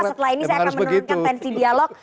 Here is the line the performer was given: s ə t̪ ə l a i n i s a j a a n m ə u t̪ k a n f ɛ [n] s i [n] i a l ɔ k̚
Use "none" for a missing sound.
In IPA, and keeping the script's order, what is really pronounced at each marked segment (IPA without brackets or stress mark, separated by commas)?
n, d